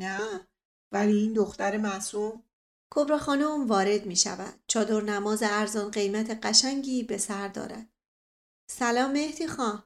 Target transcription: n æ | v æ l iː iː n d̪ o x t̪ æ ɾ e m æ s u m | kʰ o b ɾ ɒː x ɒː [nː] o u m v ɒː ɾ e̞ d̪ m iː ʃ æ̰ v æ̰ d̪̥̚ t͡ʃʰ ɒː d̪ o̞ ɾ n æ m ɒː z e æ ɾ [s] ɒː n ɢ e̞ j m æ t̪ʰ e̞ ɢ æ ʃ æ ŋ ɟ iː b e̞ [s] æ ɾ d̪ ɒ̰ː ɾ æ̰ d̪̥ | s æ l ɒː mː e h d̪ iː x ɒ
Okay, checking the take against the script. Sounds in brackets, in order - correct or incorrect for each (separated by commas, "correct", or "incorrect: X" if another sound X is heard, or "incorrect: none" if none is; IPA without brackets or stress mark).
incorrect: n, incorrect: z, correct